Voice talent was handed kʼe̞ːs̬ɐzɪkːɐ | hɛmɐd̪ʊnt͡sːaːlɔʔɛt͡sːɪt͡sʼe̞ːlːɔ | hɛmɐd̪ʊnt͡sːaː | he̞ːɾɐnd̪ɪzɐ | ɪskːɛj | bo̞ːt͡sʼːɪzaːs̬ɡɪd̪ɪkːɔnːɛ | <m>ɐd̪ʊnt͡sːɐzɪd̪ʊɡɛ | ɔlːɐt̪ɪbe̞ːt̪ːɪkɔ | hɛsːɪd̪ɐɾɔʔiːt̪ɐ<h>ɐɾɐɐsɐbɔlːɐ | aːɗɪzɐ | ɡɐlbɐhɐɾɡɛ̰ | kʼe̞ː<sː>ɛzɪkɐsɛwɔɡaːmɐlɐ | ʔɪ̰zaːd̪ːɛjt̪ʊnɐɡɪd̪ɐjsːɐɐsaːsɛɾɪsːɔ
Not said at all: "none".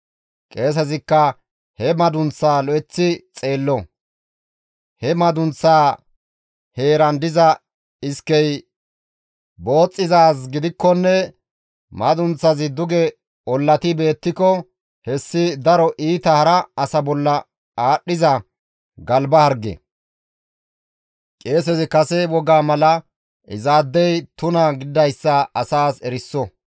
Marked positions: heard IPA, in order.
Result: m, h, s

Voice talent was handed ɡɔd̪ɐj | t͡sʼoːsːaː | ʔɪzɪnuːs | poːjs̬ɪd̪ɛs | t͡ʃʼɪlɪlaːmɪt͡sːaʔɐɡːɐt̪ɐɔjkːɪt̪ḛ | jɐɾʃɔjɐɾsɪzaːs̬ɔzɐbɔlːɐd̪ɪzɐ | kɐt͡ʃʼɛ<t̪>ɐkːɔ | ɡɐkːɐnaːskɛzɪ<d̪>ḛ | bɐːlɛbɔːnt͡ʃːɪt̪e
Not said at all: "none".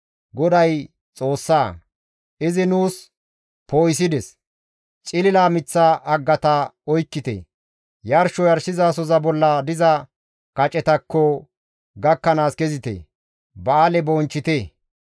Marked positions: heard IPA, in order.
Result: t̪, t̪

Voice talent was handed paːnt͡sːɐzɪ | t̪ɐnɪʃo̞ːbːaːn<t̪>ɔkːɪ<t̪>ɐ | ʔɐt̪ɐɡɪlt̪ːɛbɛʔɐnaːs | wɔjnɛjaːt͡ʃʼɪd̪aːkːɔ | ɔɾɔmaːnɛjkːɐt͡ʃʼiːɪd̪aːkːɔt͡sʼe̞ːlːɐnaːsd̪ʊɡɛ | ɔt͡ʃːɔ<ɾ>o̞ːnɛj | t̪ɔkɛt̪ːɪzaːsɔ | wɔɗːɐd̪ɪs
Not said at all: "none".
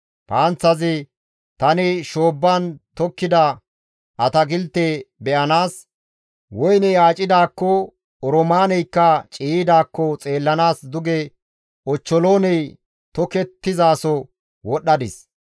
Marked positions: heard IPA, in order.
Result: t̪, d̪, l

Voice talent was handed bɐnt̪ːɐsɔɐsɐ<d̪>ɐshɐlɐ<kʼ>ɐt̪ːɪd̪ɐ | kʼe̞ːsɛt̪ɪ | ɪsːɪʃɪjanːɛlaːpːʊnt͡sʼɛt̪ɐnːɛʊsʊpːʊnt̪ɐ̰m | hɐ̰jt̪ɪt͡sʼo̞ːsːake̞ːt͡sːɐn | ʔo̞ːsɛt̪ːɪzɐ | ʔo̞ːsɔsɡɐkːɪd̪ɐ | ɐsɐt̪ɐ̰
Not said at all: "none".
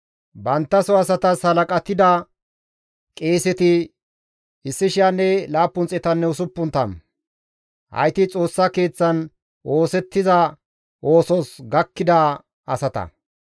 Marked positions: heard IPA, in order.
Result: t̪, kʼ

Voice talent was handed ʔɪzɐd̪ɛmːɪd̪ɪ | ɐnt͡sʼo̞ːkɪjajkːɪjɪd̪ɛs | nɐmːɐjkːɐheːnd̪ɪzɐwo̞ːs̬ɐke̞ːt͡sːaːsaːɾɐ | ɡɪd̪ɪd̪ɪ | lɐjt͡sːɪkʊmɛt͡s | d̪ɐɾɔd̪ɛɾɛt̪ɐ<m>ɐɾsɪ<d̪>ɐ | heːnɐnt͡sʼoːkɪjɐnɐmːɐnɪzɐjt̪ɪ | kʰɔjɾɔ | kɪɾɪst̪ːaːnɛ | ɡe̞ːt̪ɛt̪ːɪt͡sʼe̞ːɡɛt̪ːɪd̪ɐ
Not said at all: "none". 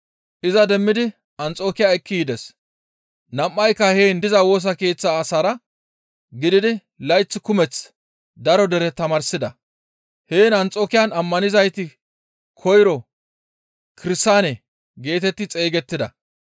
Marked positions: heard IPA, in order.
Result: m, d̪

